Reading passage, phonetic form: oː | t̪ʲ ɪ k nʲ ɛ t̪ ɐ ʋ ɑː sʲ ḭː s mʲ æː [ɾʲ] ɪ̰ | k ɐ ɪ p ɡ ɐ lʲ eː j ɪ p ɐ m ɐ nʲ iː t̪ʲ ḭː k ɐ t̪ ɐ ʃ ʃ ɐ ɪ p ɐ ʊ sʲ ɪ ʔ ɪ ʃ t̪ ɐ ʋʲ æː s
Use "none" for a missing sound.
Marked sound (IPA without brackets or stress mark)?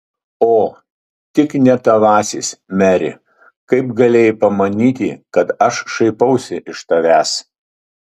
ɾʲ